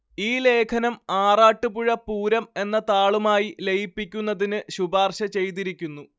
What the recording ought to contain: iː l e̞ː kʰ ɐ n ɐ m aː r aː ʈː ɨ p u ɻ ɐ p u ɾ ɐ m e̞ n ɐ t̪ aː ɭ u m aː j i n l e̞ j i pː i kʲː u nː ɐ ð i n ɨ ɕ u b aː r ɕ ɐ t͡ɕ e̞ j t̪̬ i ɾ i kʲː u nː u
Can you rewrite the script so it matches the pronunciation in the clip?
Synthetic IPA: iː l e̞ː kʰ ɐ n ɐ m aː r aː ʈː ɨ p u ɻ ɐ p uː ɾ ɐ m e̞ nː ɐ t̪ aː ɭ u m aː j i l e̞ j i pː i kʲː u nː ɐ ð i n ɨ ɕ u b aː r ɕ ɐ t͡ɕ e̞ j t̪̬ i ɾ i kʲː u nː u